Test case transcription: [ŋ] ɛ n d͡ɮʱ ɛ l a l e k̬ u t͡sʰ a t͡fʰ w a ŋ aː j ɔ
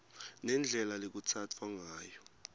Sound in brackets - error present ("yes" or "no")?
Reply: yes